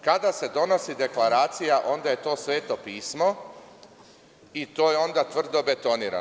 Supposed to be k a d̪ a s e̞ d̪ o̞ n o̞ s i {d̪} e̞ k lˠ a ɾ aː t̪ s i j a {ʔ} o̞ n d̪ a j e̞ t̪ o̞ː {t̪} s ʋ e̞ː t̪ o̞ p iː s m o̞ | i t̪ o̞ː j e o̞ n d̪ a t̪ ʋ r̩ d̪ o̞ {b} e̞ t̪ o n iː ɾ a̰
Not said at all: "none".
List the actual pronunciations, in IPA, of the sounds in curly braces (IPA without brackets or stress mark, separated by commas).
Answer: d̪, ʔ, none, b